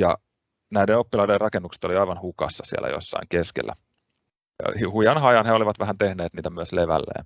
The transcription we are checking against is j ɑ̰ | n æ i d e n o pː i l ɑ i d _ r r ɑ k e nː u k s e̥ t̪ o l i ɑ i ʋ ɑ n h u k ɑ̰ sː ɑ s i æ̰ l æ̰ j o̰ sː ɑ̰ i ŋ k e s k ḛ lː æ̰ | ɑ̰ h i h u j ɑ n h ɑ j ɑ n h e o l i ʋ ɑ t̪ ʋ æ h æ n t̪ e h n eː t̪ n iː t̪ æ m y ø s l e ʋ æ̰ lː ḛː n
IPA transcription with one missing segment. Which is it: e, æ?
e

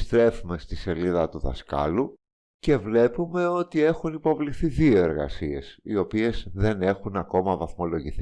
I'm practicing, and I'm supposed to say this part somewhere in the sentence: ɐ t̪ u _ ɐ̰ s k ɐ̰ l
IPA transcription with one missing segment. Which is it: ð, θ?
ð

